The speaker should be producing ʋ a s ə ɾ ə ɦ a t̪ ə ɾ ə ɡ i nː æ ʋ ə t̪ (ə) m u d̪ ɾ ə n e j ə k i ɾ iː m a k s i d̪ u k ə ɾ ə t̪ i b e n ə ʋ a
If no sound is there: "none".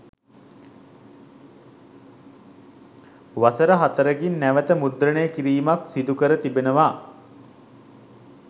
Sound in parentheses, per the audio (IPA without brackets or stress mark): ə